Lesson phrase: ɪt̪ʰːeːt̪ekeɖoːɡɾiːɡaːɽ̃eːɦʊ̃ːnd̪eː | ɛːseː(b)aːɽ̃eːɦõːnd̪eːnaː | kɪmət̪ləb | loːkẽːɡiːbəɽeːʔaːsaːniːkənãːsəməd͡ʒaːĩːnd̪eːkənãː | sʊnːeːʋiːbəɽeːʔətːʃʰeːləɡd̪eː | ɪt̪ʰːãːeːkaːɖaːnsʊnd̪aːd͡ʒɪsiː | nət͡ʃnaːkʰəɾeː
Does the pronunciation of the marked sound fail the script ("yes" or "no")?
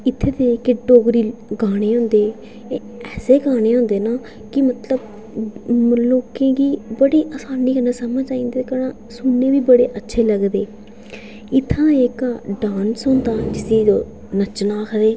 yes